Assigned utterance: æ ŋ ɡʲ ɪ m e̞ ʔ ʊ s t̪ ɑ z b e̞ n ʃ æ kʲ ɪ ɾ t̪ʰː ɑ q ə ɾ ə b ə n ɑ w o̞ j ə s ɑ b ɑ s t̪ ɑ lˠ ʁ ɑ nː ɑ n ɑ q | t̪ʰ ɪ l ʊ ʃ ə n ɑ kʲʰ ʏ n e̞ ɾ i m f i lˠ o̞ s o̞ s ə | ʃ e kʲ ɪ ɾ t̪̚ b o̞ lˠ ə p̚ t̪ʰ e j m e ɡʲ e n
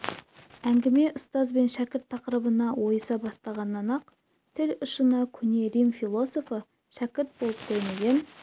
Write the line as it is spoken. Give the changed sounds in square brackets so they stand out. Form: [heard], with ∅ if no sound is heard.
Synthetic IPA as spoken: æ ŋ ɡʲ ɪ m e̞ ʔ ʊ s t̪ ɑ z b e̞ n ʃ æ kʲ ɪ ɾ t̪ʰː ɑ q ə ɾ ə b ə n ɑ w o̞ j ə s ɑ b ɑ s t̪ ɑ [∅] ʁ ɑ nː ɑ n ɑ q | t̪ʰ ɪ l ʊ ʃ ə n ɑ kʲʰ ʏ n e̞ ɾ i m f i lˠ o̞ s o̞ [f] ə | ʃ [æ] kʲ ɪ ɾ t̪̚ b o̞ lˠ ə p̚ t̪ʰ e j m e ɡʲ e n

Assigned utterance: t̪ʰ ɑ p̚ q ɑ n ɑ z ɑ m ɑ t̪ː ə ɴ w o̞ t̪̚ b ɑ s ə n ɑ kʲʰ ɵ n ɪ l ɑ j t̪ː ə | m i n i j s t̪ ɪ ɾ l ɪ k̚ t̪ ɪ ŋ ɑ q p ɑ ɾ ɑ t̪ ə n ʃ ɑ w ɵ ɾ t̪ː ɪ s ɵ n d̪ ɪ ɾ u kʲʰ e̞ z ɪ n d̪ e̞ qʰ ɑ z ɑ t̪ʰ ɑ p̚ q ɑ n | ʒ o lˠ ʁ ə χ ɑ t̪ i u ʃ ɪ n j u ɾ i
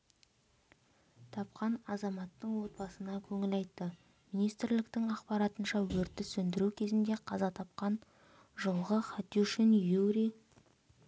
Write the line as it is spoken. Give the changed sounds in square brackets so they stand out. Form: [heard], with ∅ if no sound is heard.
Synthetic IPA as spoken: t̪ʰ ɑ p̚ q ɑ n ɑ z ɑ m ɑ t̪ː ə ɴ w o̞ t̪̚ b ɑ s ə n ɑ kʲʰ ɵ [ŋ] ɪ l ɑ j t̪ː ə | m i n i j s t̪ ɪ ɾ l ɪ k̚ t̪ ɪ ŋ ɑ q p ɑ ɾ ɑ t̪ ə n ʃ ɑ w ɵ ɾ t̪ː ɪ s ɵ n d̪ ɪ ɾ u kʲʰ e̞ z ɪ n d̪ e̞ qʰ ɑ z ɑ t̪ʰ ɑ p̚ q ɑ n | ʒ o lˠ ʁ ə χ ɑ t̪ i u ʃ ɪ n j u ɾ i

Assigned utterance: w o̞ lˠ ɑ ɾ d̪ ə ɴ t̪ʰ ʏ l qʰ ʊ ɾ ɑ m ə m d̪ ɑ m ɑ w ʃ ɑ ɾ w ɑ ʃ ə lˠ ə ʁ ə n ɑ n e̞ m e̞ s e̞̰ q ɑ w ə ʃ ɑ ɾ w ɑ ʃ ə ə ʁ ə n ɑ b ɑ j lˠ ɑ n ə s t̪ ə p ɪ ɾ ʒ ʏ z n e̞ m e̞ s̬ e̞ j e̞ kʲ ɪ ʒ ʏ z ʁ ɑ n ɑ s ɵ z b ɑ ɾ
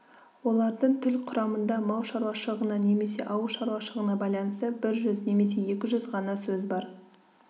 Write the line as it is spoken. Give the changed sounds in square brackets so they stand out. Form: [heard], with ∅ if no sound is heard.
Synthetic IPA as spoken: w o̞ lˠ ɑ ɾ d̪ ə ɴ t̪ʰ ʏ l qʰ ʊ ɾ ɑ m ə [n] d̪ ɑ m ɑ w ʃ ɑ ɾ w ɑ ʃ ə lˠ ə ʁ ə n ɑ n e̞ m e̞ s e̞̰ [ʔ] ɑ w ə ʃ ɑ ɾ w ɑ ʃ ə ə ʁ ə n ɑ b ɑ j lˠ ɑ n ə s t̪ ə [b] ɪ ɾ ʒ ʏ z n e̞ m e̞ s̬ e̞ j e̞ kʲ ɪ ʒ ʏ z ʁ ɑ n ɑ s ɵ z b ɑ ɾ

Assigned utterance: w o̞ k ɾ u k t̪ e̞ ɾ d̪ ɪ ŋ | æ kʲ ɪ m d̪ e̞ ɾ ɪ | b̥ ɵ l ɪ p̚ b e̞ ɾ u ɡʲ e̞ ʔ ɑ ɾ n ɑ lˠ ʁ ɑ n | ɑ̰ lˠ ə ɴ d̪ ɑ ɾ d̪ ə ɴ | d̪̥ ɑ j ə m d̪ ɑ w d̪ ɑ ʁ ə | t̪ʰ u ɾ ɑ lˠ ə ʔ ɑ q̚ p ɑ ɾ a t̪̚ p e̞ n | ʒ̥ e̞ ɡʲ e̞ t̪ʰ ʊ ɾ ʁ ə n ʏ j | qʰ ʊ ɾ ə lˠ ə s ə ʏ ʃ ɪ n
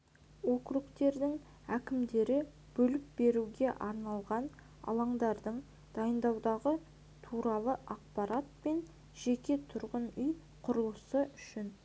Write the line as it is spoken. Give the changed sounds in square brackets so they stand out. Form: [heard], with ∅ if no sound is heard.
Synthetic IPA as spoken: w o̞ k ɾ u k t̪ e̞ ɾ d̪ ɪ ŋ | æ kʲ ɪ m d̪ e̞ ɾ ɪ | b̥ ɵ l ɪ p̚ b e̞ ɾ u ɡʲ e̞ ʔ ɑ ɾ n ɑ lˠ ʁ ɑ n | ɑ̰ lˠ [ɑ] ɴ d̪ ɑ ɾ d̪ ə ɴ | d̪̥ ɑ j ə [n] d̪ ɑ w d̪ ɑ ʁ ə | t̪ʰ u ɾ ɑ lˠ ə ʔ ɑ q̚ p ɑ ɾ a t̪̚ p e̞ n | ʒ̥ e̞ [kʲ] e̞ t̪ʰ ʊ ɾ ʁ ə n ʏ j | qʰ ʊ ɾ ə lˠ ə s ə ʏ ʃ ɪ n

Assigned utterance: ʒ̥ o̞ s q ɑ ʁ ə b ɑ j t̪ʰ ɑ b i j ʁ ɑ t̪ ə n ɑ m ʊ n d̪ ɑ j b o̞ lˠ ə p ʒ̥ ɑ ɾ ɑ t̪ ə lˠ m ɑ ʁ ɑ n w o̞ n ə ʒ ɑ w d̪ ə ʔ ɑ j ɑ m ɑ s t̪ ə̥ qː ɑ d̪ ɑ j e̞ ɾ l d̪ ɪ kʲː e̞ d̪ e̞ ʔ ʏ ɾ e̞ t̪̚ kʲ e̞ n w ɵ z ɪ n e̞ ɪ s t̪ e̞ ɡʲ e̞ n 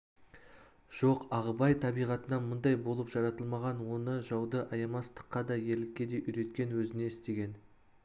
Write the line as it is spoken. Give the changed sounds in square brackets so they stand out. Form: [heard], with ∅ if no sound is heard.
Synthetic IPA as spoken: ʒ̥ o̞ [∅] q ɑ ʁ ə b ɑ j t̪ʰ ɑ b i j ʁ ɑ t̪ ə n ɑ m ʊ n d̪ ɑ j b o̞ lˠ ə p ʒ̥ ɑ ɾ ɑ t̪ ə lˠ m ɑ ʁ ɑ n w o̞ n ə ʒ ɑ w d̪ ə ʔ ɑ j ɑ m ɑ s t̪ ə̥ qː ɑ d̪ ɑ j e̞ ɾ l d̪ ɪ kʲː e̞ d̪ e̞ ʔ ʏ ɾ e̞ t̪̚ kʲ e̞ n w ɵ z ɪ n e̞ ɪ s t̪ e̞ ɡʲ e̞ n

